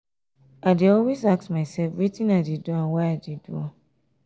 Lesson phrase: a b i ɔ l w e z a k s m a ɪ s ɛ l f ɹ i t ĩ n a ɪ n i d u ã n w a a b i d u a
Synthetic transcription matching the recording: a d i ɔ l w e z a k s m a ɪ s ɛ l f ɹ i t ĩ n a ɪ d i d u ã n w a a d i d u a